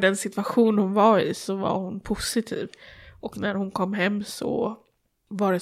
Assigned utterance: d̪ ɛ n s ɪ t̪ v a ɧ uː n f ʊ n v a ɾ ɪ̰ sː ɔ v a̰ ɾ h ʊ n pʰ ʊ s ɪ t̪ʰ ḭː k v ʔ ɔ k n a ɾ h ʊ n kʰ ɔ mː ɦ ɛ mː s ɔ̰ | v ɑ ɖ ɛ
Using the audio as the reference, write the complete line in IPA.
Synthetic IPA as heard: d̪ ɛ n s ɪ t̪ v a ɧ uː n h ʊ n v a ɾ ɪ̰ s ɔ v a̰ ɾ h ʊ n pʰ ʊ s ɪ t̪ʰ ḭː v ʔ ɔ k n æ ɾ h ʊ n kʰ ɔ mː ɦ ɛ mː s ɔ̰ | v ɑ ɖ ɛ